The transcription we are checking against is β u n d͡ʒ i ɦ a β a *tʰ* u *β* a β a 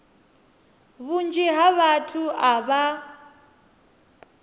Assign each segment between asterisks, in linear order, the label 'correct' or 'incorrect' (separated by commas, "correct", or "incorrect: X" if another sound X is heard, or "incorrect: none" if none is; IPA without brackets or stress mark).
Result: correct, incorrect: none